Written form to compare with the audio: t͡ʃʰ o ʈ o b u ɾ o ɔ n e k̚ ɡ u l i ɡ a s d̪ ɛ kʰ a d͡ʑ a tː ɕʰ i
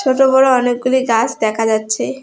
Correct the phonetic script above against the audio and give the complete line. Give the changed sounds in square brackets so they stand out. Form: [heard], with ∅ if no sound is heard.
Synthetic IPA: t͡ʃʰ o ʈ o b [ɔ] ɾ o ɔ n e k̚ ɡ u l i ɡ a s d̪ ɛ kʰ a d͡ʑ a tː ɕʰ [e]

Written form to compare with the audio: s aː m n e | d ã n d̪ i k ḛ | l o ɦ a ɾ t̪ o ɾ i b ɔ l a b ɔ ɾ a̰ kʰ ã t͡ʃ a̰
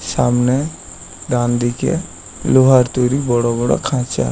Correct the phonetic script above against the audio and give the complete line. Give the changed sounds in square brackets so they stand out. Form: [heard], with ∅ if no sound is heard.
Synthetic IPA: s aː m n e | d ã n d̪ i k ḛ | l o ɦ a ɾ t̪ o ɾ i b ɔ [ɽ] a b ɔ [ɽ] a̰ kʰ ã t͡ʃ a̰

